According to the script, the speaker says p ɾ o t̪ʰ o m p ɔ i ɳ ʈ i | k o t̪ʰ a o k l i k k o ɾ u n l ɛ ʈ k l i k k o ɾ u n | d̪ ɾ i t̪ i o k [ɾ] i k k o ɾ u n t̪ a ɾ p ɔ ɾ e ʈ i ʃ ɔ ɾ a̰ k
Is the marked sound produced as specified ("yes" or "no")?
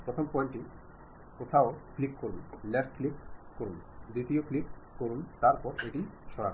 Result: no